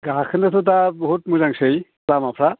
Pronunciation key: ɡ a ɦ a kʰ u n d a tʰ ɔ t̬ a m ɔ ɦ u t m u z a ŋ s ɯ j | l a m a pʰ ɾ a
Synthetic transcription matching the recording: ɡ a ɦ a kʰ ɯ n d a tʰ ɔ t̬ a b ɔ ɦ u t m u z a ŋ s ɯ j | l a m a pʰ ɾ a